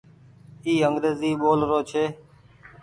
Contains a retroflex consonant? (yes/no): no